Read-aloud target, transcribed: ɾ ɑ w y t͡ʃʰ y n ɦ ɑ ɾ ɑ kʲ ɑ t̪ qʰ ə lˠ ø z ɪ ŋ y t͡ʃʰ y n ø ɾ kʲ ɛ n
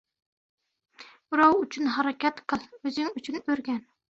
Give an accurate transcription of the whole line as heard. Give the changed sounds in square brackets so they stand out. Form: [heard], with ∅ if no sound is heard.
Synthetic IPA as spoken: ɾ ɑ w y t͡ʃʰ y n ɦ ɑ ɾ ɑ kʲ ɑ t̪ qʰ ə lˠ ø z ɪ ŋ y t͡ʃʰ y n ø ɾ [ɡʲ] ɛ n